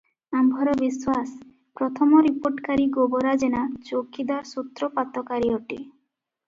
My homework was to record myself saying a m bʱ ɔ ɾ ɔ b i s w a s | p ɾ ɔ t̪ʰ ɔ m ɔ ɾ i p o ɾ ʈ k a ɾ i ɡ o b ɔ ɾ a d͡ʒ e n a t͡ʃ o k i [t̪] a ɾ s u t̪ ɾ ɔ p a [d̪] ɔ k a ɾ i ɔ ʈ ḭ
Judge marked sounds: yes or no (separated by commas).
no, no